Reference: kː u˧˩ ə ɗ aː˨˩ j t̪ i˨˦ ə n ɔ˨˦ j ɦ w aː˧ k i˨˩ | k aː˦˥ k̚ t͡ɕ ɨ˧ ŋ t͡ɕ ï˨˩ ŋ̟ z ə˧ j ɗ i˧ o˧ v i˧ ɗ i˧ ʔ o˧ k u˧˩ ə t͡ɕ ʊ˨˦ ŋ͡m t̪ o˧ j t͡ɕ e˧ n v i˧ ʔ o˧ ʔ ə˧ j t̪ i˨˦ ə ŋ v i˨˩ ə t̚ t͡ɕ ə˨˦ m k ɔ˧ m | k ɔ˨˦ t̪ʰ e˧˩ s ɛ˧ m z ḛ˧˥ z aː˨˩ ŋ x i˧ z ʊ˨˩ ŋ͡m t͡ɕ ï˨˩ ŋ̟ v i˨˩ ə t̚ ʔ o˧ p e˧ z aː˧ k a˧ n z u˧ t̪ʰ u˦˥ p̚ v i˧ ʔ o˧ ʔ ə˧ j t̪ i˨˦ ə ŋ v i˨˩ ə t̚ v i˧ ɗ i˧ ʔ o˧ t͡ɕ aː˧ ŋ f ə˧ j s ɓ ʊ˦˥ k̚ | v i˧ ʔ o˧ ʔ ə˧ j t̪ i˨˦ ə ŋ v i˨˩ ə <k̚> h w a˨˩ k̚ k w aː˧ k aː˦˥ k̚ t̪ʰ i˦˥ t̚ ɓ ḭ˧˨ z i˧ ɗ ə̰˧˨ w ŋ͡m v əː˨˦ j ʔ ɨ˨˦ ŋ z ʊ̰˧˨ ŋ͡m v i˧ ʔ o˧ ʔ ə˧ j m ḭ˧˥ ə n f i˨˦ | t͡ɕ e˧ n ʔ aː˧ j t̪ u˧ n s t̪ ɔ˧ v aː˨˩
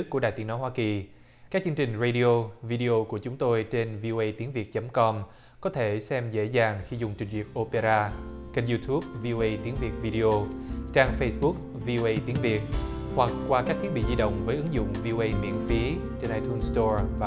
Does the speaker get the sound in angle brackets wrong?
yes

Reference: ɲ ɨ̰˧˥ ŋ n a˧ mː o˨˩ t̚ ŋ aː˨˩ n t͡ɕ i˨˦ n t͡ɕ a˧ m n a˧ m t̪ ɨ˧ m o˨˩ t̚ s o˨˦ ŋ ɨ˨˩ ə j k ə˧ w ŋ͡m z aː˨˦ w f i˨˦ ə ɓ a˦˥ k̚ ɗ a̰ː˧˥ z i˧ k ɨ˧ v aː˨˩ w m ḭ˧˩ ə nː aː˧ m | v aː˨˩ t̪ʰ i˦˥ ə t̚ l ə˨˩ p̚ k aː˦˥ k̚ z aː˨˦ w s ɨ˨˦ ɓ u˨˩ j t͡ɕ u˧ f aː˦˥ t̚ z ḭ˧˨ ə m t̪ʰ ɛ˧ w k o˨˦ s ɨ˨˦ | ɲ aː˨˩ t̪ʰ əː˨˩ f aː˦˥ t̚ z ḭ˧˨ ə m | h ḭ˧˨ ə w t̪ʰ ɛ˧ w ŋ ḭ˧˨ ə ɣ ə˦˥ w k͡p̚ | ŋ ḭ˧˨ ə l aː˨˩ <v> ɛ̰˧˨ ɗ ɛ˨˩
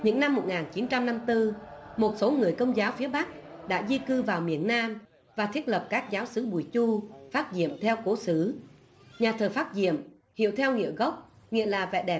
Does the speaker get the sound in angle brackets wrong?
no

